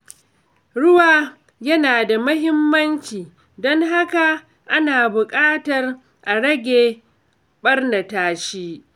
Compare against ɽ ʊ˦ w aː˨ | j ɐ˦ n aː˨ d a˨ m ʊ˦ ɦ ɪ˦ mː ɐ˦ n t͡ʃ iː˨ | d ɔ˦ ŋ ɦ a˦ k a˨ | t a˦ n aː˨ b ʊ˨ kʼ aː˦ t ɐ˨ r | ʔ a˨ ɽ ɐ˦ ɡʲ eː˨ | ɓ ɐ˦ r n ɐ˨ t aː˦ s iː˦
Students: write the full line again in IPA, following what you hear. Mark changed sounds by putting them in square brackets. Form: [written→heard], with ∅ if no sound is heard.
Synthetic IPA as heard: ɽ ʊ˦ w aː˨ | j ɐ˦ n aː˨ d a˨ m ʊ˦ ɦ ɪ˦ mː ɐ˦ n t͡ʃ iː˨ | d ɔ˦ ŋ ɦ a˦ k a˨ | [t→ʔ] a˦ n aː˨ b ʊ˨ kʼ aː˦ t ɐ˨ r | ʔ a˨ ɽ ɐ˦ ɡʲ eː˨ | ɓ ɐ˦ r n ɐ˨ t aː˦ [s→ʃ] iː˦